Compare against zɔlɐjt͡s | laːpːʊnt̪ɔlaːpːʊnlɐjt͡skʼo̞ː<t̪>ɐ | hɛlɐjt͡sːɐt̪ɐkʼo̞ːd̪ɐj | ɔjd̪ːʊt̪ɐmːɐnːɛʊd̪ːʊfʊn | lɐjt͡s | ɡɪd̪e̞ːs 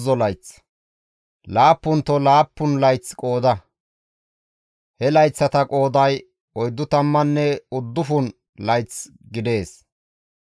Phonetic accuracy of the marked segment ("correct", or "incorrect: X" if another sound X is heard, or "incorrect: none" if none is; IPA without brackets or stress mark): incorrect: d̪